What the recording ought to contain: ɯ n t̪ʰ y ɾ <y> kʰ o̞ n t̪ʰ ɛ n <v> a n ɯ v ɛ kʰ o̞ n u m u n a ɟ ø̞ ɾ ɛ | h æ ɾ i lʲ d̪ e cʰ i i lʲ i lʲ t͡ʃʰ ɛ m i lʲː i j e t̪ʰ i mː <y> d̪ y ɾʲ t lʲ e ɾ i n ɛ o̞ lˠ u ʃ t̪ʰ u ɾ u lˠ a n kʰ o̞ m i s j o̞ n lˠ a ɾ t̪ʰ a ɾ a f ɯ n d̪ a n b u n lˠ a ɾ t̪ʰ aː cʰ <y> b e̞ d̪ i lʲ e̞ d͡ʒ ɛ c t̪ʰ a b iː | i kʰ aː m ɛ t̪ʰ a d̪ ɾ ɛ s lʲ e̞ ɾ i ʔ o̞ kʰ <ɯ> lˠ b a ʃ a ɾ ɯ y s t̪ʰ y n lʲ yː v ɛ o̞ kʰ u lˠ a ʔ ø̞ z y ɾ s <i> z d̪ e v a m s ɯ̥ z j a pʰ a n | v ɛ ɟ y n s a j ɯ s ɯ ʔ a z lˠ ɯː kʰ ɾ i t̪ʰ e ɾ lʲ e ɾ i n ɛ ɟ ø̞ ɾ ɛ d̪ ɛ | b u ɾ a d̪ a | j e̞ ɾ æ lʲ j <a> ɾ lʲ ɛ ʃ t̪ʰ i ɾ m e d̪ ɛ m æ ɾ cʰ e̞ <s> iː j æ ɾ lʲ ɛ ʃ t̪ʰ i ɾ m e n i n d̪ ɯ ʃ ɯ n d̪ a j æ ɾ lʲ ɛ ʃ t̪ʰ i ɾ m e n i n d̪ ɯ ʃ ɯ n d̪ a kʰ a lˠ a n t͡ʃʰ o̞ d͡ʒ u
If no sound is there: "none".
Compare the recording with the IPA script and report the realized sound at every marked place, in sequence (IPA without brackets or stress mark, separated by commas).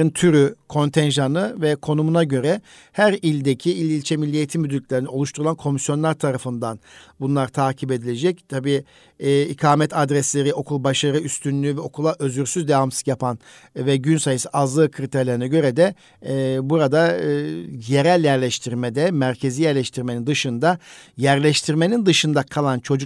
y, ʒ, y, i, u, y, æ, z